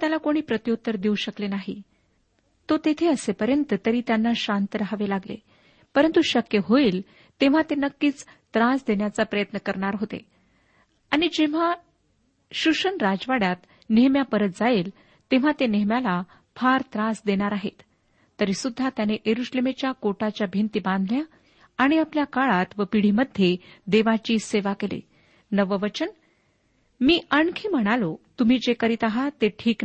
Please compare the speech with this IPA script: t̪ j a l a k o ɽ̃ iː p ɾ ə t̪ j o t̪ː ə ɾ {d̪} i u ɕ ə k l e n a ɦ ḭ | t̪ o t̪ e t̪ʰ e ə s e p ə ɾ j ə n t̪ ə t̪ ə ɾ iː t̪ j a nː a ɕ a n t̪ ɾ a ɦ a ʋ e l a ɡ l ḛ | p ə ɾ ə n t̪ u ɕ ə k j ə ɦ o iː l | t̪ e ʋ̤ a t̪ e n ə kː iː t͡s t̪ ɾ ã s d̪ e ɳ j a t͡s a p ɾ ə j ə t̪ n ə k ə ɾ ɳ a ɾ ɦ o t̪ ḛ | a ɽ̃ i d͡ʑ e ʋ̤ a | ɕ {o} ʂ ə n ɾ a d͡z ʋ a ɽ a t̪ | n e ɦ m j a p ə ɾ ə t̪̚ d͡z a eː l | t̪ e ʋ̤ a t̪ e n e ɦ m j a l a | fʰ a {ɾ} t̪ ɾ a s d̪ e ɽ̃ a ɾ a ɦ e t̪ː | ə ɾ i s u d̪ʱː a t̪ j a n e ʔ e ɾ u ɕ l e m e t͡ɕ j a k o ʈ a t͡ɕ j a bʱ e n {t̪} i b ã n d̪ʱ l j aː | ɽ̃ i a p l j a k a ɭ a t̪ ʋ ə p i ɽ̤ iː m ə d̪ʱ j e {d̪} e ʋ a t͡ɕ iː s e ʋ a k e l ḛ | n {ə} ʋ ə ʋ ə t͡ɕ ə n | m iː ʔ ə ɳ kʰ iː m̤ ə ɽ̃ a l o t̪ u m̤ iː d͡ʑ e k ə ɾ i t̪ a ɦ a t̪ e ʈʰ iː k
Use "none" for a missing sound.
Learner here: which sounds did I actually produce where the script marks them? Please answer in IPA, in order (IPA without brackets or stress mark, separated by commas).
d̪, u, ɾ, t̪, d̪, ə